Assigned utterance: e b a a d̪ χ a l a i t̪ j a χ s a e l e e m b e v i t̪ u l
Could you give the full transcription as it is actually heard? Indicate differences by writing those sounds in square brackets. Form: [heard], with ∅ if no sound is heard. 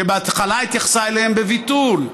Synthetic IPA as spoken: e b [e] a [t̪] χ a l a i t̪ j a χ s a e l e e m b e v i t̪ u l